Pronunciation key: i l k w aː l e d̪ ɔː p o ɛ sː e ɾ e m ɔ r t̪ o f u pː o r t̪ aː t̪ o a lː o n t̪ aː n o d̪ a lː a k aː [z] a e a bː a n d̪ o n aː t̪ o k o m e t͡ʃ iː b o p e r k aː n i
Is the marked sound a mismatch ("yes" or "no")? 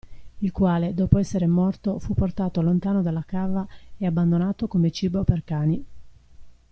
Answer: yes